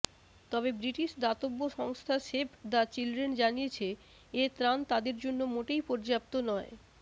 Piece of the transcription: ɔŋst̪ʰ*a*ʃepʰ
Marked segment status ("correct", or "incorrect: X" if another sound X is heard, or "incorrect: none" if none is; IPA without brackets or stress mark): correct